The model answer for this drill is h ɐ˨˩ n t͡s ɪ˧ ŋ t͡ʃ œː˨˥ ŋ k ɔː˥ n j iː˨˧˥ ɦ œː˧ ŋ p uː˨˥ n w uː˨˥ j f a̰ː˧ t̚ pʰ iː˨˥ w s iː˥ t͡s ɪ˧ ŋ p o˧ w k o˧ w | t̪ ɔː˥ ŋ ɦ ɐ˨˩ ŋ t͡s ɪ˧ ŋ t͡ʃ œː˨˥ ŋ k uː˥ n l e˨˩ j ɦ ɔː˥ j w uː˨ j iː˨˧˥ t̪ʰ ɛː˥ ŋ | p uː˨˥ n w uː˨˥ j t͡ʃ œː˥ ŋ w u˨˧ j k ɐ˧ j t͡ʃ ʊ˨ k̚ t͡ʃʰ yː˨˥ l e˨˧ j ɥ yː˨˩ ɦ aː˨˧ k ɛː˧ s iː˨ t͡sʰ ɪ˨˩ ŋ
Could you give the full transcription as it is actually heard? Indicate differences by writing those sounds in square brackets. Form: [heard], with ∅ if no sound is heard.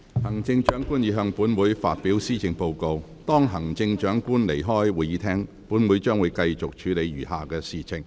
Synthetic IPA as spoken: h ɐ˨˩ [ŋ] t͡s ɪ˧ ŋ t͡ʃ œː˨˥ ŋ k [uː˥] n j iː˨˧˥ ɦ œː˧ ŋ p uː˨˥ n w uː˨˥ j f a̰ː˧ t̚ [p] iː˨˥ w s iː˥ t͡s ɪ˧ ŋ p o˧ w k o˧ w | t̪ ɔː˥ ŋ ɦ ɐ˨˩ ŋ t͡s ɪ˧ ŋ t͡ʃ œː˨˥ ŋ k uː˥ n l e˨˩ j ɦ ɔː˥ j w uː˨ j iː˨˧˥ t̪ʰ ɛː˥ ŋ | p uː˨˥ n w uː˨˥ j t͡ʃ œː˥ ŋ w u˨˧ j k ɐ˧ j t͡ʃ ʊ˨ k̚ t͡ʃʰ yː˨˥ l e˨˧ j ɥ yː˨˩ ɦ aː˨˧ k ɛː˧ s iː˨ t͡sʰ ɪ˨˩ ŋ

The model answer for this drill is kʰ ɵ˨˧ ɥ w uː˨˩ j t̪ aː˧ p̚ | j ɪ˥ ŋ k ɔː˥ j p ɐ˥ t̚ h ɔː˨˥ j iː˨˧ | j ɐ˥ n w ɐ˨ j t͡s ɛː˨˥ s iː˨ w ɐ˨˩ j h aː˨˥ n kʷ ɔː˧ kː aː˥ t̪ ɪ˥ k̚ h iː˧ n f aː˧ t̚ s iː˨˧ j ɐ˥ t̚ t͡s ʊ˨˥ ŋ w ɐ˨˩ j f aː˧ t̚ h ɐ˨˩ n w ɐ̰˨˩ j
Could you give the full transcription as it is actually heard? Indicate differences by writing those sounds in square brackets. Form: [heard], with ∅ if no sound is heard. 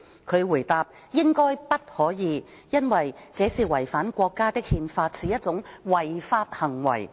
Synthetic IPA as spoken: kʰ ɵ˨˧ ɥ w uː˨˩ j t̪ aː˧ p̚ | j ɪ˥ ŋ k ɔː˥ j p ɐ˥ t̚ h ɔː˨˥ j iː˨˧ | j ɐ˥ n w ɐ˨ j t͡s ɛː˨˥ s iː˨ w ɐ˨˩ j [f] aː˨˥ n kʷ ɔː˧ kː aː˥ t̪ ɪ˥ k̚ h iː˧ n f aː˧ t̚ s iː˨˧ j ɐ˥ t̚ t͡s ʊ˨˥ ŋ w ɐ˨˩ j f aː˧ t̚ h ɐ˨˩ [ŋ] w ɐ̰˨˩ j

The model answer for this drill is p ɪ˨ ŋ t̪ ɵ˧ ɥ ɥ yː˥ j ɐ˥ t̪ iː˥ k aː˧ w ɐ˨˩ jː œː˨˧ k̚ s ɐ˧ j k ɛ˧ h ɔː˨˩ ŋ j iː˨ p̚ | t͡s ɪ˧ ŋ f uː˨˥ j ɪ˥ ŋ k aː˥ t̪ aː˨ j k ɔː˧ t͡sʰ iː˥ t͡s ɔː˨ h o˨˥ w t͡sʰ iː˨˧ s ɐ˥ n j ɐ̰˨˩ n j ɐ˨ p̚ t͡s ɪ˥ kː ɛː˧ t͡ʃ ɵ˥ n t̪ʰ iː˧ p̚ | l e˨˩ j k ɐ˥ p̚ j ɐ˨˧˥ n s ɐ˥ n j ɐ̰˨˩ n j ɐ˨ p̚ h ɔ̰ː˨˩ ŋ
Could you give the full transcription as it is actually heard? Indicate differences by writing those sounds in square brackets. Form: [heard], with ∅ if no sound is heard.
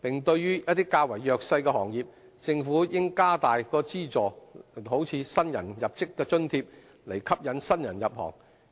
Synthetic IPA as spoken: p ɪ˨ ŋ t̪ ɵ˧ ɥ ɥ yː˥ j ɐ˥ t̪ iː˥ k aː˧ w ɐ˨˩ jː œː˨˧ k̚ s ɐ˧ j k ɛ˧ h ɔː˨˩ ŋ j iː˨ p̚ | t͡s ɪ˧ ŋ f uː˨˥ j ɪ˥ ŋ k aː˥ t̪ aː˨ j k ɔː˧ [t͡s] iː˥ t͡s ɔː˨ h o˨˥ w t͡sʰ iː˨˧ s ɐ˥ n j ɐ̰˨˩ n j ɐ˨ p̚ t͡s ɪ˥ kː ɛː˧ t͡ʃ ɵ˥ n t̪ʰ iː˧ p̚ | l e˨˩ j [kʰ] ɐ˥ p̚ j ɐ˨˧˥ n s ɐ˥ n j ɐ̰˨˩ n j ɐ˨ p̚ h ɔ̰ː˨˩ ŋ

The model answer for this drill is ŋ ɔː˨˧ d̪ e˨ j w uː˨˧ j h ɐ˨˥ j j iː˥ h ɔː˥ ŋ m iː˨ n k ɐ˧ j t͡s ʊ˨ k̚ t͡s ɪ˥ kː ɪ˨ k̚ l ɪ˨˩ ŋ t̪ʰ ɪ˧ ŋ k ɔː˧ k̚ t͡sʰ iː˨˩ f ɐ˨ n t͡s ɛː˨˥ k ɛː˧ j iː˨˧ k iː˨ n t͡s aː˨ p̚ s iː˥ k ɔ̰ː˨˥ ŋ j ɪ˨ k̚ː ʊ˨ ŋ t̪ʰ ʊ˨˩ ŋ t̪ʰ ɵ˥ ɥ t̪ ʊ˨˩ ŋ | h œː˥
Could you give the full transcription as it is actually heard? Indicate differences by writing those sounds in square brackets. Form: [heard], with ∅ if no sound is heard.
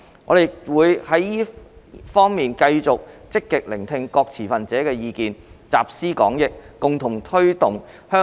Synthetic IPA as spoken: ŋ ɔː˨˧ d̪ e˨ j w uː˨˧ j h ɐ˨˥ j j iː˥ [f] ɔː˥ ŋ m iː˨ n k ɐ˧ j t͡s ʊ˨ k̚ t͡s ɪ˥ kː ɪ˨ k̚ l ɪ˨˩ ŋ t̪ʰ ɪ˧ ŋ k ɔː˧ k̚ t͡sʰ iː˨˩ f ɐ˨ n t͡s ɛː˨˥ k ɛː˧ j iː˨˧ k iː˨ n t͡s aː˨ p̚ s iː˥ k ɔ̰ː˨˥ ŋ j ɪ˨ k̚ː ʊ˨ ŋ t̪ʰ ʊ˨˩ ŋ t̪ʰ ɵ˥ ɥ t̪ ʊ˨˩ ŋ | h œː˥

